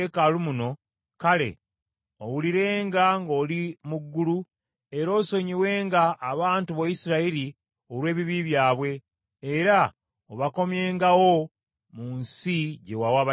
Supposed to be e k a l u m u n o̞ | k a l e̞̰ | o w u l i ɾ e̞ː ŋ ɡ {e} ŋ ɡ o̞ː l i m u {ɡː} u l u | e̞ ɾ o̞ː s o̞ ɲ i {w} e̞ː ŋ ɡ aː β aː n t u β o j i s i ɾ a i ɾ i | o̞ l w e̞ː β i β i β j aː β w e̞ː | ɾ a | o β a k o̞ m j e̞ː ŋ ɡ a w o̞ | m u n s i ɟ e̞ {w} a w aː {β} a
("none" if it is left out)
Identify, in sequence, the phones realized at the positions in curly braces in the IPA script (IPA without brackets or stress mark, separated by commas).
a, ɡː, w, w, β